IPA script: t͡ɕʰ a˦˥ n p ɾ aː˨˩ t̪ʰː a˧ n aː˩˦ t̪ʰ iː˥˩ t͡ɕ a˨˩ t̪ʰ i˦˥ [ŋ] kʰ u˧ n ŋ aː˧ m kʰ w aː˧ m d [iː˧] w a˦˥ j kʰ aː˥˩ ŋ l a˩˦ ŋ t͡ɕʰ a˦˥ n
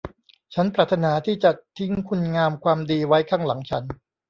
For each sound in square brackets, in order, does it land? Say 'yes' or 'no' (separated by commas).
yes, yes